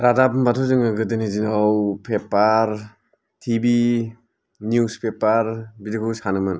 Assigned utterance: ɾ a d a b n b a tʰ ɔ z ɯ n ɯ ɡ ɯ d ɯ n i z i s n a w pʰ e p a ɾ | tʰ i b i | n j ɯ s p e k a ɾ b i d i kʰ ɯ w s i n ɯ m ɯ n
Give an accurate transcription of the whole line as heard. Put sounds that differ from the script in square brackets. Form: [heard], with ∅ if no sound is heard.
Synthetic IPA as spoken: ɾ a d a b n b a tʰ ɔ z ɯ [ŋ] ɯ ɡ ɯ d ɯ n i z i [∅] n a w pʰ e p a ɾ | tʰ i b i | n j [u] s p e [p] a ɾ b i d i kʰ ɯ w s [a] n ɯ m ɯ n

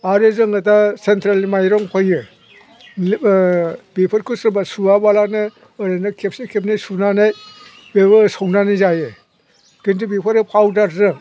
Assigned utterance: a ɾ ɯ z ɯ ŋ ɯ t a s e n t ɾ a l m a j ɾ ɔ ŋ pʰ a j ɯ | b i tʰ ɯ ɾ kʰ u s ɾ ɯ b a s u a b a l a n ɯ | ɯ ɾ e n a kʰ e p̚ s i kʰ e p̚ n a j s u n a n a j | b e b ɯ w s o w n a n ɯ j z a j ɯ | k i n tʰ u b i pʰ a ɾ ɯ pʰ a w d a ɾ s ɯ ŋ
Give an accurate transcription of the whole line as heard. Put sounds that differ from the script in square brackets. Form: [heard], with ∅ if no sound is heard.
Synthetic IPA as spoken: a ɾ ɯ z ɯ ŋ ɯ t a s e n t ɾ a l m a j ɾ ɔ ŋ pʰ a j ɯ | b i [pʰ] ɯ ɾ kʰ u s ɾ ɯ b a s u a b a l a n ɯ | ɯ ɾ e n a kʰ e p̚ s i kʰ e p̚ n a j s u n a n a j | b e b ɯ [∅] s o w n a n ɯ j z a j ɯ | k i n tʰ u b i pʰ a ɾ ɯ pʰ a w d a ɾ [z] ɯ ŋ

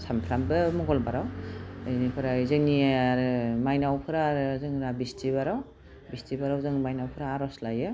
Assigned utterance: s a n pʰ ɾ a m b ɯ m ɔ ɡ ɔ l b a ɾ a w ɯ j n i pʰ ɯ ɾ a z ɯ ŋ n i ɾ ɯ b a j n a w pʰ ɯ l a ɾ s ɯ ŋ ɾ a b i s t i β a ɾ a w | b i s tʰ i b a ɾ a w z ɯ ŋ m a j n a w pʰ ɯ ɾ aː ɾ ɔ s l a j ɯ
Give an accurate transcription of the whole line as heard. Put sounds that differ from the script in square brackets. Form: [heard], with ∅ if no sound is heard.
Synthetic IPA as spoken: s a [m] pʰ ɾ a m b ɯ m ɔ ɡ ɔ l b a ɾ a w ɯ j n i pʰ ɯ ɾ a z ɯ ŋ n i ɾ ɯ [m] a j n a w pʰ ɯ [ɾ] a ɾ [z] ɯ ŋ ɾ a b i s t i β a ɾ a w | b i s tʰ i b a ɾ a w z ɯ ŋ m a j n a w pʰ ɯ ɾ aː ɾ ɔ s l a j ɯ

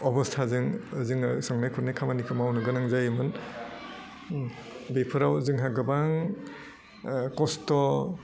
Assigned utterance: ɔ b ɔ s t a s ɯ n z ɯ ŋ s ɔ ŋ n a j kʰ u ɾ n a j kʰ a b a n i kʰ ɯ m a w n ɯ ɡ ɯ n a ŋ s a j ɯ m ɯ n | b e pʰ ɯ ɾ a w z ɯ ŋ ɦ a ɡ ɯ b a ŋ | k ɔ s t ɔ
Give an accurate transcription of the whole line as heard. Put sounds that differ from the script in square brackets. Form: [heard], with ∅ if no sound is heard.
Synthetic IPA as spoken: ɔ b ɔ s [tʰ] a [z] ɯ [ŋ] z ɯ ŋ s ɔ ŋ n a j kʰ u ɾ n a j kʰ a [m] a n i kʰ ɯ m a w n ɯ ɡ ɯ n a ŋ [z] a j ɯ m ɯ n | b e pʰ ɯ ɾ a w z ɯ ŋ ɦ a ɡ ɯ b a ŋ | k ɔ s t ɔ

